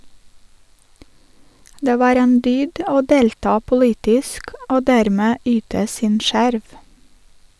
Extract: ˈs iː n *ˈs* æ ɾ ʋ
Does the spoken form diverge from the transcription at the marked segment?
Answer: yes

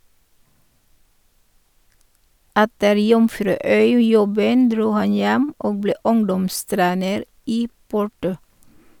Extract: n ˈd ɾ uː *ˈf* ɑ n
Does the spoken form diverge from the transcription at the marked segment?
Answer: yes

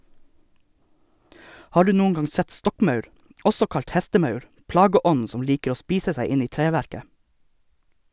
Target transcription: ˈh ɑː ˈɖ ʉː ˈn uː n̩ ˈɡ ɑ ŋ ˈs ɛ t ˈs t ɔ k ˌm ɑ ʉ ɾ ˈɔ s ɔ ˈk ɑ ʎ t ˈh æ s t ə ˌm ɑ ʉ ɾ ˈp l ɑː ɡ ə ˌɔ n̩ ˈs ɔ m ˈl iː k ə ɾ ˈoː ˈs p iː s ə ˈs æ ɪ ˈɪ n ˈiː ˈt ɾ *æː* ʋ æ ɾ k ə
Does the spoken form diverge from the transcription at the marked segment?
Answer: yes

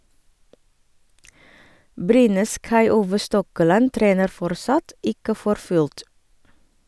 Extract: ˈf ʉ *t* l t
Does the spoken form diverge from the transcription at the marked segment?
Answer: yes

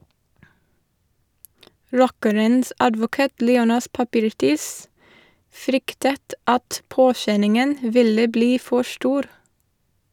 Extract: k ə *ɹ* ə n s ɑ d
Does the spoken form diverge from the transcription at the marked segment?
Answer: yes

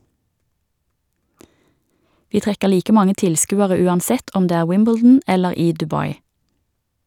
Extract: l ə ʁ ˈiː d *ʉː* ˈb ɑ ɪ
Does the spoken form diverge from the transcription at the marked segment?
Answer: yes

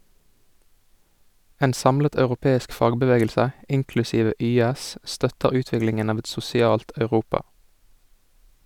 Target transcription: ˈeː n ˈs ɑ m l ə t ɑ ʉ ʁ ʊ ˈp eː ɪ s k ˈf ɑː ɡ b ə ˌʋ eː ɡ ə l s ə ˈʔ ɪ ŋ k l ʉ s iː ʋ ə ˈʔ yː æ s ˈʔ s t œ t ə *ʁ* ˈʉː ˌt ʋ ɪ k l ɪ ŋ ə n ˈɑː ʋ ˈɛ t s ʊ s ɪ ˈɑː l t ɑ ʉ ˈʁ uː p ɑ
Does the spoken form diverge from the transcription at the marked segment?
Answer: no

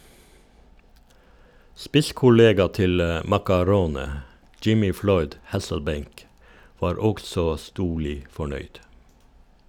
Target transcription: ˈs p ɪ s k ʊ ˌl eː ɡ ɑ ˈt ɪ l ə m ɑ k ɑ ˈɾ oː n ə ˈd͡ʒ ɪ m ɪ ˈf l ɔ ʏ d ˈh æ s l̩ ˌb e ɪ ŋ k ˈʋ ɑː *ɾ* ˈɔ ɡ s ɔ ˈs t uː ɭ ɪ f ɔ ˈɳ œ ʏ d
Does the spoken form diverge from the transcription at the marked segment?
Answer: no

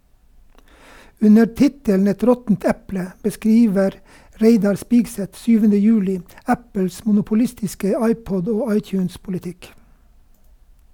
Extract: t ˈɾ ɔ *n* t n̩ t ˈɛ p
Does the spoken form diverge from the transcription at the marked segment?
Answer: yes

